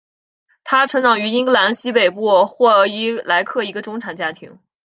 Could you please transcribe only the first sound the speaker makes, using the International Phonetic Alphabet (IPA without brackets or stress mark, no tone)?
t̪ʰ